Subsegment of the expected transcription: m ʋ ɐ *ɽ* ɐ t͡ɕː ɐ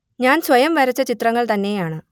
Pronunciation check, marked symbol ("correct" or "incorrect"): incorrect